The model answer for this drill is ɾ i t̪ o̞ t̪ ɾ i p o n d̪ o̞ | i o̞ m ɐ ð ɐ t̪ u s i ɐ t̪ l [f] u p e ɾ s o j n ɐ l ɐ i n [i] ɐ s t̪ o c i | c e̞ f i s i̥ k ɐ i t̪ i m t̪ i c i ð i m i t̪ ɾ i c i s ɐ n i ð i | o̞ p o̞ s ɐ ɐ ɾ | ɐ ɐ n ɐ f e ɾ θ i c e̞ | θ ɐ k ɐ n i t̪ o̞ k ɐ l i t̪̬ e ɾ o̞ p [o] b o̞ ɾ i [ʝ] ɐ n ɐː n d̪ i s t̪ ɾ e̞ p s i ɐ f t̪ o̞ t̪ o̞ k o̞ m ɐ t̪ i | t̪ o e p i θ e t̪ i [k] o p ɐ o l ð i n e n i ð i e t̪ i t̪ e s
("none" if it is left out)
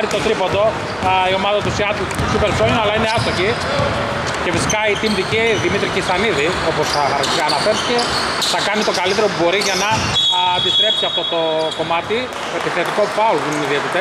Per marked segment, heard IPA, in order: s, e, u, ʝ, k

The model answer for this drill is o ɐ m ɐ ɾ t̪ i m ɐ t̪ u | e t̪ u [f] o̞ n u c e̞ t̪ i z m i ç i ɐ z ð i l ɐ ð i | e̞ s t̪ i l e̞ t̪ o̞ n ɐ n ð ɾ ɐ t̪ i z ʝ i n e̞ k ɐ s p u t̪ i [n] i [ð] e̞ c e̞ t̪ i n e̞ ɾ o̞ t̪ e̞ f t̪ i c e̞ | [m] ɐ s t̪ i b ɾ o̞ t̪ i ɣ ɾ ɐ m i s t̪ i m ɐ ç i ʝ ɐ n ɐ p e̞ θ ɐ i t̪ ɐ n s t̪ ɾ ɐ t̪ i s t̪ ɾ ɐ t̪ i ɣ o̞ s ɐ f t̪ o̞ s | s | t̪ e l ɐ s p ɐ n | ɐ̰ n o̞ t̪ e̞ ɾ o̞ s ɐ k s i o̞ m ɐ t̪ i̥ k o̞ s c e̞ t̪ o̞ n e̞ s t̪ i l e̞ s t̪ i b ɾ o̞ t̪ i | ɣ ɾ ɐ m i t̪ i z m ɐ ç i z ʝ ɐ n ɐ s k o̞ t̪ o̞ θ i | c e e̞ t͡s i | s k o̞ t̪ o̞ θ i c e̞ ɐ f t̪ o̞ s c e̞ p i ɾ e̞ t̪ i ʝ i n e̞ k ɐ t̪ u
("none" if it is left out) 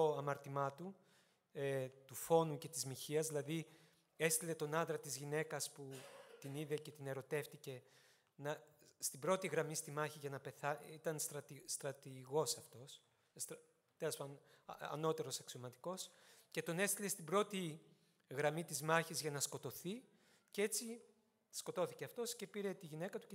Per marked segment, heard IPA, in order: f, n, ð, n

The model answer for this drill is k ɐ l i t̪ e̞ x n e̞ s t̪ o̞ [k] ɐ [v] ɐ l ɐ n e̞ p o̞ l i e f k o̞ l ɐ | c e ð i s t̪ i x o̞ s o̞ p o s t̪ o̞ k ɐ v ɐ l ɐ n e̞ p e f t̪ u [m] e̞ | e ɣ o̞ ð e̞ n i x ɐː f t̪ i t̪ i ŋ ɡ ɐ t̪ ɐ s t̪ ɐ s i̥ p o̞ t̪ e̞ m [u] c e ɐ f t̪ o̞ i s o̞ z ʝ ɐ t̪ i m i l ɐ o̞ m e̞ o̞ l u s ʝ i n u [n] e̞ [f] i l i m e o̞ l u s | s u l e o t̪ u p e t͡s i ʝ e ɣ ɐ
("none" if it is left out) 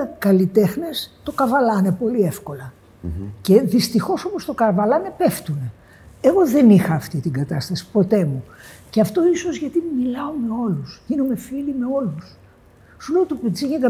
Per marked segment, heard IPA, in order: k, v, n, u, m, f

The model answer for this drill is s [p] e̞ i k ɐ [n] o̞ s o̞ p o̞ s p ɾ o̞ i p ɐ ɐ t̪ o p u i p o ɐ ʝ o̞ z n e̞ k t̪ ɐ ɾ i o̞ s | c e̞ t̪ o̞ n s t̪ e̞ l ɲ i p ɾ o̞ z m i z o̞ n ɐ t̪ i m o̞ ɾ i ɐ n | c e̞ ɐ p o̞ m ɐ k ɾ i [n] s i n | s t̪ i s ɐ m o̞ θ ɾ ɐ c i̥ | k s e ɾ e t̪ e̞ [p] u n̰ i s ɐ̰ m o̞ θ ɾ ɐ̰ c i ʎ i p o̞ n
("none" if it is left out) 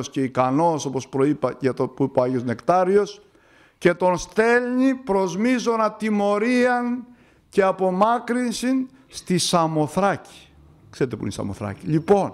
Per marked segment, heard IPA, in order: c, n, n, p

